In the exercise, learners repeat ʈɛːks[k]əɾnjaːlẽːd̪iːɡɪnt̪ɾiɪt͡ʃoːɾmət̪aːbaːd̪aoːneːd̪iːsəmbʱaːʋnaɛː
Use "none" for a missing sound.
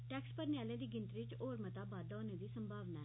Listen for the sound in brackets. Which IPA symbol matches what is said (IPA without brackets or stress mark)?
p